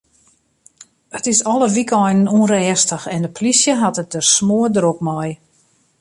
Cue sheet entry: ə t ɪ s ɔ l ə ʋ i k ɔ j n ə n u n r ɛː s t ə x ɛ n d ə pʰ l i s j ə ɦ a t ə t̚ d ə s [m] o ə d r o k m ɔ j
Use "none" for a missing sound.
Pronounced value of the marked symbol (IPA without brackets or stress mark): m